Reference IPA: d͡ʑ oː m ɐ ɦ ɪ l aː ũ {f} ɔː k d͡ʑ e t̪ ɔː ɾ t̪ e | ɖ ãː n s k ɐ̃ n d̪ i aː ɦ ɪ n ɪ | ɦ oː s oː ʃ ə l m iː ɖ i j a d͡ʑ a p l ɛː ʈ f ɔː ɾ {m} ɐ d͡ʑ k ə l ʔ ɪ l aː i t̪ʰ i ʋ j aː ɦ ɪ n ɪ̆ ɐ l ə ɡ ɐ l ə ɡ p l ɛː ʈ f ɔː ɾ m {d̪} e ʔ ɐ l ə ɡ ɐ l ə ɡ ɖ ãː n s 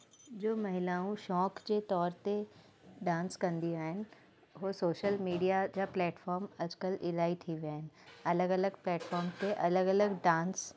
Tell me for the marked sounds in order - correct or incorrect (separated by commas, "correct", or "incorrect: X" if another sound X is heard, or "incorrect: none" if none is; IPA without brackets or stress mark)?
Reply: incorrect: ʃ, correct, incorrect: t̪